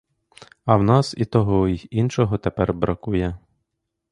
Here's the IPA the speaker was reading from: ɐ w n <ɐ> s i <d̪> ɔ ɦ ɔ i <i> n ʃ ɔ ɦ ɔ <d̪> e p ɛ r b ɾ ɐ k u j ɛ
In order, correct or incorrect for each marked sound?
incorrect: ɑ, incorrect: t̪, correct, incorrect: t̪

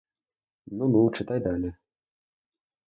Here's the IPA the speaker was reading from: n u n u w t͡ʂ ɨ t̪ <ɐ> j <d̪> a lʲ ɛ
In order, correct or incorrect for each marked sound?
incorrect: a, correct

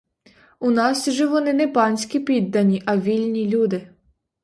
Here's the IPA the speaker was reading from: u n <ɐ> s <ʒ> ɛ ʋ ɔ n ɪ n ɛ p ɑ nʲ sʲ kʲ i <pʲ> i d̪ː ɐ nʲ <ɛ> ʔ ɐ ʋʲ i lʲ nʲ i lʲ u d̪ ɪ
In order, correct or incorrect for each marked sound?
incorrect: ɑ, correct, correct, incorrect: i

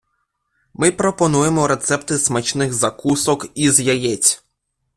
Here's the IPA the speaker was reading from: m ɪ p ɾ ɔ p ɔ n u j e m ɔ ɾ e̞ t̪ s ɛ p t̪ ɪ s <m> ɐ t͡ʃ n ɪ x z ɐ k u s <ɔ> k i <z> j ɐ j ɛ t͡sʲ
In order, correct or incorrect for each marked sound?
correct, correct, correct

